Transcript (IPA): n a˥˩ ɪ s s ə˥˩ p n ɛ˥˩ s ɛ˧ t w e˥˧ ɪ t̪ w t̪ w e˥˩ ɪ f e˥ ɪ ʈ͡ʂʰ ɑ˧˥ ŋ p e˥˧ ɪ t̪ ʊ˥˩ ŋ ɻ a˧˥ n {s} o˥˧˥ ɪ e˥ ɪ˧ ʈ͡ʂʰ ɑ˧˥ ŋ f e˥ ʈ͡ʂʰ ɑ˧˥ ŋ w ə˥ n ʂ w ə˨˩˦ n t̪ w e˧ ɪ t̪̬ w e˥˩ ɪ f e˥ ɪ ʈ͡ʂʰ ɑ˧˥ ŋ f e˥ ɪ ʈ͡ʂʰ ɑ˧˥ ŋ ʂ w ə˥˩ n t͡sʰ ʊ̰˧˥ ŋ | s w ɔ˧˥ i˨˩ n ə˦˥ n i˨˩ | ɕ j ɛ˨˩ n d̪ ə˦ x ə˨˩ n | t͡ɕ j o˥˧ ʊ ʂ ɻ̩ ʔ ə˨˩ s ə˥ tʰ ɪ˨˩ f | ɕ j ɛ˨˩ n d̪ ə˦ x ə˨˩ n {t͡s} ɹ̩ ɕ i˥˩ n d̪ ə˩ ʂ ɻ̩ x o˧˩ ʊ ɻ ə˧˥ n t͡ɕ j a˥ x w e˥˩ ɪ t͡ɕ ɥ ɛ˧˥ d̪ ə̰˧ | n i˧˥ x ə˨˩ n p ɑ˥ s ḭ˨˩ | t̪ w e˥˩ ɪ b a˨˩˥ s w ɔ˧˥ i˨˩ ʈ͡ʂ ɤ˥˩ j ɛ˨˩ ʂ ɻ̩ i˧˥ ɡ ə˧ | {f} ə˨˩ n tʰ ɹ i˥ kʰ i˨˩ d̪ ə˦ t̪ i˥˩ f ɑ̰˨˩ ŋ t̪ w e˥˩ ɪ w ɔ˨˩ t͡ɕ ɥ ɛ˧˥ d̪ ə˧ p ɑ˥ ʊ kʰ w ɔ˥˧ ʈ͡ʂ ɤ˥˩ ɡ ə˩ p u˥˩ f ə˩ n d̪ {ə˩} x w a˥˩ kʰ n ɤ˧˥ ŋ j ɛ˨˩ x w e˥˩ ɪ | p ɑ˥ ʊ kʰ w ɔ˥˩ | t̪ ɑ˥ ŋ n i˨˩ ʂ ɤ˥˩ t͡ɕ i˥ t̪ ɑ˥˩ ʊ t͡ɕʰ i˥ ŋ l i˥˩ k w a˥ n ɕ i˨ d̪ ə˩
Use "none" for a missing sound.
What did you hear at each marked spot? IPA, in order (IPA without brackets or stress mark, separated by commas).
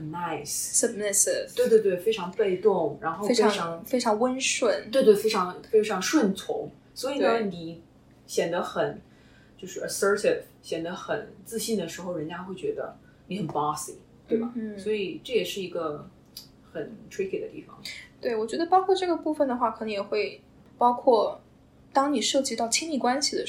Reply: x, t͡s, x, ə˩